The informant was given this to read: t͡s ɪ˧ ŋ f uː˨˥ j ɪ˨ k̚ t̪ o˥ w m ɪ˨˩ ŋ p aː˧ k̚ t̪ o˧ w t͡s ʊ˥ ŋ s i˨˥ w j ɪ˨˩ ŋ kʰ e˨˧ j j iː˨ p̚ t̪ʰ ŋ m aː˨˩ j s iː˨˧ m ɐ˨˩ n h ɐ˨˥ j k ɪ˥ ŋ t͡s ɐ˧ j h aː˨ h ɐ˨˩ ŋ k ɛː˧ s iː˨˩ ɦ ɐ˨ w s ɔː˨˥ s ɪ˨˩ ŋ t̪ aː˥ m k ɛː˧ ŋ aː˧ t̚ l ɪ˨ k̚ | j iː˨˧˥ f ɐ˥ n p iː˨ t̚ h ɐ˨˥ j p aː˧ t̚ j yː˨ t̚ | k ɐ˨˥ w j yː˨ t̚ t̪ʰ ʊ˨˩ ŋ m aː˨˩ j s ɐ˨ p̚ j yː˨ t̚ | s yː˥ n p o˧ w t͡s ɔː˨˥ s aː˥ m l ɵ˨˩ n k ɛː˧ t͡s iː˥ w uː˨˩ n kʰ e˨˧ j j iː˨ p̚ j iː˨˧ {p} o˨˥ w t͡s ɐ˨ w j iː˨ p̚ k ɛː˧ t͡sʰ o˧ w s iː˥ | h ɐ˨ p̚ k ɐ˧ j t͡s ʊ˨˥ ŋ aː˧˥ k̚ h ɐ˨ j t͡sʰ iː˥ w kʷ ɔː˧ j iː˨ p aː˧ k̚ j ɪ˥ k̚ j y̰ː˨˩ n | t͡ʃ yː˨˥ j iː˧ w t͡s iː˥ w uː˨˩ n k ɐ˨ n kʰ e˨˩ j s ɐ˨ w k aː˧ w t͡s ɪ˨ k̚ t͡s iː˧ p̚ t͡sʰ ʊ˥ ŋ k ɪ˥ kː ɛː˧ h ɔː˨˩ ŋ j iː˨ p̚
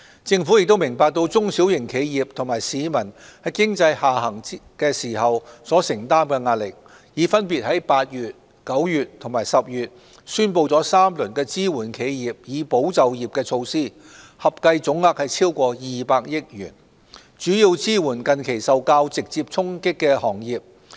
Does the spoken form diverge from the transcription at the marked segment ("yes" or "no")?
no